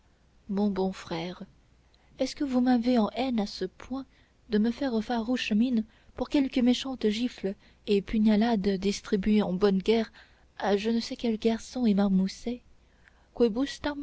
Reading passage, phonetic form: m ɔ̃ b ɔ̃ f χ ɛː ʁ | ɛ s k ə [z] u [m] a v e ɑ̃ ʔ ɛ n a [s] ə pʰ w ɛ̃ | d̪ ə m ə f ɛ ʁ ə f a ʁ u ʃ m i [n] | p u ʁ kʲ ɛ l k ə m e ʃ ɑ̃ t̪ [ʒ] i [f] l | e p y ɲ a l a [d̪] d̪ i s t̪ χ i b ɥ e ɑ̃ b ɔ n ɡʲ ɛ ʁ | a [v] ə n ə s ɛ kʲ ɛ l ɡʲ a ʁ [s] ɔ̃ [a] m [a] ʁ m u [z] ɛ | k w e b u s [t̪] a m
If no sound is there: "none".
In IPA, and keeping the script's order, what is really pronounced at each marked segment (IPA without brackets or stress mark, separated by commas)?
v, m, s, n, ʒ, f, d̪, ʒ, s, e, a, s, t̪